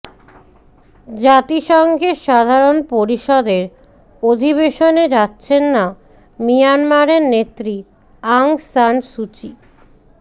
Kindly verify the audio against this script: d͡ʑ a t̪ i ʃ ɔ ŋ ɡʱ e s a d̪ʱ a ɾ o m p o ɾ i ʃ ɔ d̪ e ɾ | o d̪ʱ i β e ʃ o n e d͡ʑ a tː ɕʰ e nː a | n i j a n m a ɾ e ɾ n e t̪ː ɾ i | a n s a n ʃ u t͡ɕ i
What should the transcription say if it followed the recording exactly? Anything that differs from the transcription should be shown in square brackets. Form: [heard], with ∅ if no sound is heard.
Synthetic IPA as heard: d͡ʑ a t̪ i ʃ ɔ ŋ ɡʱ e [ʃ] a d̪ʱ a ɾ o [n] p o ɾ i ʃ ɔ d̪ e ɾ | o d̪ʱ i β e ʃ o n e d͡ʑ a tː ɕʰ e nː a | [m] i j a n m a ɾ e ɾ n e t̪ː ɾ i | a [ŋ] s a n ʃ u t͡ɕ i

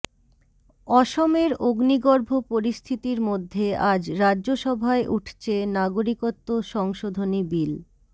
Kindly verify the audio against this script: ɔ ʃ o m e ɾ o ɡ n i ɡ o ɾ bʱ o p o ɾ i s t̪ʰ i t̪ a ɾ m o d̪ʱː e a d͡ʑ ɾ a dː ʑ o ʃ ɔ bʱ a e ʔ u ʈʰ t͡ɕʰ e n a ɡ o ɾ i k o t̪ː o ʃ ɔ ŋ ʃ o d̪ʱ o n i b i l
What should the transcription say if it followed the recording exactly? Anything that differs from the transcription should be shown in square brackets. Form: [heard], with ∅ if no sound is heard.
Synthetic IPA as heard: ɔ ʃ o m e ɾ o ɡ n i ɡ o ɾ bʱ o p o ɾ i s t̪ʰ i t̪ [i] ɾ m o d̪ʱː e a d͡ʑ ɾ a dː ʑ o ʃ ɔ bʱ a e ʔ u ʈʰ t͡ɕʰ e n a ɡ o ɾ i k o t̪ː o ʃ ɔ ŋ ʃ o d̪ʱ o n i b i l

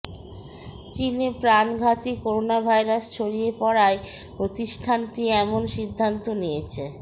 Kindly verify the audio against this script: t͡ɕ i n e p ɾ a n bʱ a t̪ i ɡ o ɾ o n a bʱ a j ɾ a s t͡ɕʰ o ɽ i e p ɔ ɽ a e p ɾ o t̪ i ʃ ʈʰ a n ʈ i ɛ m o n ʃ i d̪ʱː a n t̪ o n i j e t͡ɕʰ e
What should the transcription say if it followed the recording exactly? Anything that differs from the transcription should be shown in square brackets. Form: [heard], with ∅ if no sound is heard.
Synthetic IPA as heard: t͡ɕ i n e p ɾ a n [ɡʱ] a t̪ i [k] o ɾ o n a bʱ a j ɾ a s t͡ɕʰ o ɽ i e p ɔ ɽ a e p ɾ o t̪ i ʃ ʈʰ a n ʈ i ɛ m o n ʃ i d̪ʱː a n t̪ o n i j e t͡ɕʰ e

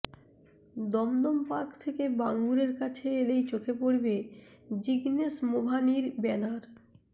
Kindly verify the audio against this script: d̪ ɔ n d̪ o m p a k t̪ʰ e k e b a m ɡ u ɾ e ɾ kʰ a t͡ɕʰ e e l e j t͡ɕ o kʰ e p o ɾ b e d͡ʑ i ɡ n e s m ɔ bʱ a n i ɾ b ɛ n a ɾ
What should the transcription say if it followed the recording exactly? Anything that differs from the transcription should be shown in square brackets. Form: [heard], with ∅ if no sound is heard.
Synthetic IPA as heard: d̪ ɔ [m] d̪ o m p a k t̪ʰ e k e b a [ŋ] ɡ u ɾ e ɾ [k] a t͡ɕʰ e e l e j t͡ɕ o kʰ e p o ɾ b e d͡ʑ i ɡ n e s m [o] bʱ a n i ɾ b ɛ n a ɾ

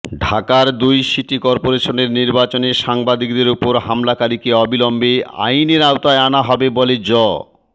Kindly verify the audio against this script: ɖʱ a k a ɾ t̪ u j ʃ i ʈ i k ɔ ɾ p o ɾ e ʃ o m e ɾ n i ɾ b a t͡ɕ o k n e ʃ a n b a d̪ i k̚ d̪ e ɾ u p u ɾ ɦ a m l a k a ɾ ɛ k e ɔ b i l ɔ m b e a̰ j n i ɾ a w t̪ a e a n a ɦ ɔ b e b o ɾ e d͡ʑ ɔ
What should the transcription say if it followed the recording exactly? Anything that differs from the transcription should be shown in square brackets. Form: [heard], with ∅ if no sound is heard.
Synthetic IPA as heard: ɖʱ a k a ɾ [d̪] u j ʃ i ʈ i k ɔ ɾ p o ɾ e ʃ o [n] e ɾ n i ɾ b a t͡ɕ o [∅] n e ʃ a [ŋ] b a d̪ i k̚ d̪ e ɾ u p [o] ɾ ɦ a m l a k a ɾ [i] k e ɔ b i l ɔ m b e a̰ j n [e] ɾ a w t̪ a e a n a ɦ ɔ b e b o [l] e d͡ʑ ɔ

